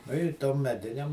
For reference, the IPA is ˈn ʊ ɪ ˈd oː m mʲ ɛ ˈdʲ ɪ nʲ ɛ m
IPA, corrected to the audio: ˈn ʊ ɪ ˈt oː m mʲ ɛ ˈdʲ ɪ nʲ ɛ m